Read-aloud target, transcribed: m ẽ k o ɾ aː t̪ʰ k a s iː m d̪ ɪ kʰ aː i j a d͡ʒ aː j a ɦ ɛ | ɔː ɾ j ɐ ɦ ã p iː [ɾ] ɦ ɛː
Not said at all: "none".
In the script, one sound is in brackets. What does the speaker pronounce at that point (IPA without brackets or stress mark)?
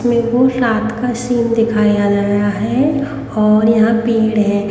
ɽ